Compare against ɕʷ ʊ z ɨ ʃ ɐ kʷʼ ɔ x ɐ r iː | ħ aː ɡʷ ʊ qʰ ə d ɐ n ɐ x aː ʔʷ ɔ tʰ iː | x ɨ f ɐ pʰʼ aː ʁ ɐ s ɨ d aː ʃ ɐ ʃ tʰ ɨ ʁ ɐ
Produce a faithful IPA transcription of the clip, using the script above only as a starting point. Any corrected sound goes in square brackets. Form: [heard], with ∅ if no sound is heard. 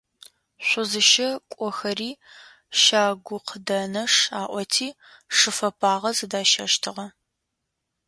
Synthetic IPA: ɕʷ ʊ z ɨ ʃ ɐ kʷʼ ɔ x ɐ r iː | [ʃ] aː ɡʷ ʊ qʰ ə d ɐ n ɐ [ʂ] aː ʔʷ ɔ tʰ iː | [ʂ] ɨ f ɐ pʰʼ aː ʁ ɐ [z] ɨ d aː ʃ ɐ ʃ tʰ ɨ ʁ ɐ